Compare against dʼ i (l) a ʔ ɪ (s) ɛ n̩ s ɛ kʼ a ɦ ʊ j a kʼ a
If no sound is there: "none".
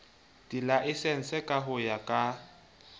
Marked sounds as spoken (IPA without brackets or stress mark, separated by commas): l, s